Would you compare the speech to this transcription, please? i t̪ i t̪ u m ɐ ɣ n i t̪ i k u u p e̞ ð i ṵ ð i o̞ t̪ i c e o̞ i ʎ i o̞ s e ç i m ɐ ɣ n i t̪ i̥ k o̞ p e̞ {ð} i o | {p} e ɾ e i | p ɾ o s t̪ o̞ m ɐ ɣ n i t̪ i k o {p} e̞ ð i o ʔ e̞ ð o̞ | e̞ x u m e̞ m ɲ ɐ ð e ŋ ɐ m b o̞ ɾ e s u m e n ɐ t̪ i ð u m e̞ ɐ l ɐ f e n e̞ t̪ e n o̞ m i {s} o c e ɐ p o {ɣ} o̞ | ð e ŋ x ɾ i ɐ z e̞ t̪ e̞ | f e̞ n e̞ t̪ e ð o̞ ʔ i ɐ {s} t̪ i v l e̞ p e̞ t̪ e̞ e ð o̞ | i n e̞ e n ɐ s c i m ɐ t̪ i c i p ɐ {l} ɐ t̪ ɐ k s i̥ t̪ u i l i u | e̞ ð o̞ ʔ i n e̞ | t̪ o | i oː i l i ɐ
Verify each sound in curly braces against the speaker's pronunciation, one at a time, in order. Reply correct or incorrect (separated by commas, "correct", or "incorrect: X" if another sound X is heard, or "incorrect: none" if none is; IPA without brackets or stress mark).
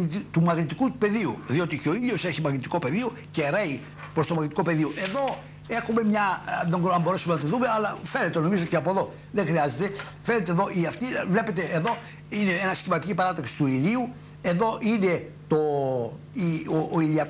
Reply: correct, incorrect: c, correct, incorrect: z, incorrect: ð, incorrect: f, incorrect: ɾ